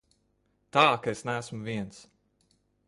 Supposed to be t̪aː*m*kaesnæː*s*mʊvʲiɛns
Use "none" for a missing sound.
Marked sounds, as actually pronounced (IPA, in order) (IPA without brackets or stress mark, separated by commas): none, s